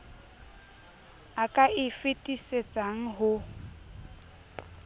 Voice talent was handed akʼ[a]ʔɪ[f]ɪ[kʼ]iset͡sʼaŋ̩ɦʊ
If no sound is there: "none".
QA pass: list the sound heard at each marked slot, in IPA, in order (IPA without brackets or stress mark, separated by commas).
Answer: a, f, tʼ